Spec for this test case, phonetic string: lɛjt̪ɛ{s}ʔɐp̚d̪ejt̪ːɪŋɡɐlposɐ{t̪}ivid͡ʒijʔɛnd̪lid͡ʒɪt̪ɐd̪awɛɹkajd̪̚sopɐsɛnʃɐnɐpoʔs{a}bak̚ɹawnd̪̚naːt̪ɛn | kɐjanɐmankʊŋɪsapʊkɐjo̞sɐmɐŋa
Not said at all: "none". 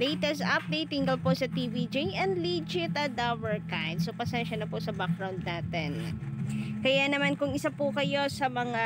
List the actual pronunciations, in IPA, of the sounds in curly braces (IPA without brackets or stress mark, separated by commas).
s, t̪, ɐ